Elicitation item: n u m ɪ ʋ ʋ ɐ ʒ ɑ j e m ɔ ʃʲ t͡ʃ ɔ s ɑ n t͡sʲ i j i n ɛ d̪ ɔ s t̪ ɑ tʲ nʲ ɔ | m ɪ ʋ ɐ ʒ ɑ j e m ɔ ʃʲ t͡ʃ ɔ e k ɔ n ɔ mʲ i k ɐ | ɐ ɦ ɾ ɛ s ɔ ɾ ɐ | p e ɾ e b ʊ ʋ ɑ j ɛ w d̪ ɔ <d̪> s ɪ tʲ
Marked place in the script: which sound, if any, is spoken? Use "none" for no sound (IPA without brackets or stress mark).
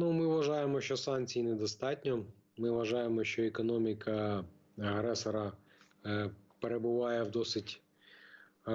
none